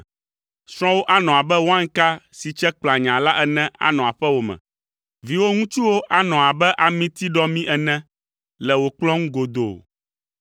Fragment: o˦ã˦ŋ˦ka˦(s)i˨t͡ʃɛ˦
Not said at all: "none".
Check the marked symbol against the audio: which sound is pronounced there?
s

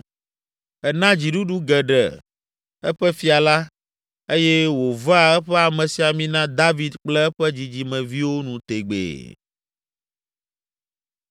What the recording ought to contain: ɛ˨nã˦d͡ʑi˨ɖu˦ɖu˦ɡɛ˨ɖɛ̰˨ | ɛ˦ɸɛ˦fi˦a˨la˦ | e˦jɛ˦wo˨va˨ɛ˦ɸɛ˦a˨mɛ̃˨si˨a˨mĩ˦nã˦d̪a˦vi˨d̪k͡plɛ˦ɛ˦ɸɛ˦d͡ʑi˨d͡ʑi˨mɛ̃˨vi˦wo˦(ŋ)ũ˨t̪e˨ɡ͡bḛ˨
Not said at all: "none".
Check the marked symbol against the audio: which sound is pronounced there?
n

